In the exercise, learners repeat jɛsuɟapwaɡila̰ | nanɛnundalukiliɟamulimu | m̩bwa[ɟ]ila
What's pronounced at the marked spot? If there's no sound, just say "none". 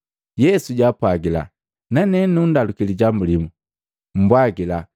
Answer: ɡ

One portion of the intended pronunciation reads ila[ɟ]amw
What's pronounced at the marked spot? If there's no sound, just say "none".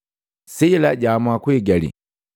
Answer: ɟ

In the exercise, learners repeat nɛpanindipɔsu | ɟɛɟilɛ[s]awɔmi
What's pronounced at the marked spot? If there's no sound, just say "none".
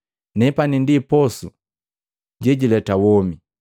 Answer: t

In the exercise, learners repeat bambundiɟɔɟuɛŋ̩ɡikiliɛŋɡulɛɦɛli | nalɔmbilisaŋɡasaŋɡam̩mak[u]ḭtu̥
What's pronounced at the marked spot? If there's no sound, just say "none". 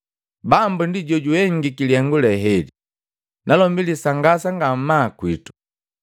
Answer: w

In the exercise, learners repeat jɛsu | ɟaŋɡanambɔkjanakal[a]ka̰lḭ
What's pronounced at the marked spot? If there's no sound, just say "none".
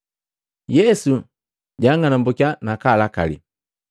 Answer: a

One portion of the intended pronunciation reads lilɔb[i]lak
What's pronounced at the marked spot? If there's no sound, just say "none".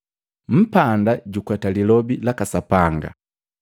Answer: i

